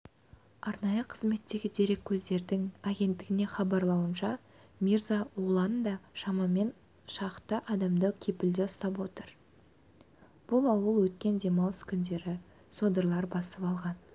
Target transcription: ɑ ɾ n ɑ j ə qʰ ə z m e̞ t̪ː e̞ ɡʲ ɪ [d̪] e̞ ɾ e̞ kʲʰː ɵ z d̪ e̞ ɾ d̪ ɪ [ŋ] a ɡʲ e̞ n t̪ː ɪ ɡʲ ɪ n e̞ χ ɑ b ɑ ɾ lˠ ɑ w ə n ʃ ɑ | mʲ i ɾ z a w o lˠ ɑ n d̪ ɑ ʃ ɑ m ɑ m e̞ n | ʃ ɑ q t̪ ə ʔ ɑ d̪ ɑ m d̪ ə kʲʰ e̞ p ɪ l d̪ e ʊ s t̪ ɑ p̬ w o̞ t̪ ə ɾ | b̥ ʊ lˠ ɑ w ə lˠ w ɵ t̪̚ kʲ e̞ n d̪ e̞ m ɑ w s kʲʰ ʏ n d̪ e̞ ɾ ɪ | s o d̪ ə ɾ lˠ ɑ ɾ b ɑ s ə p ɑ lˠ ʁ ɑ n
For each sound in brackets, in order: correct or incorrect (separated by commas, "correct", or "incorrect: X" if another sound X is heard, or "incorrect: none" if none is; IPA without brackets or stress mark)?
correct, correct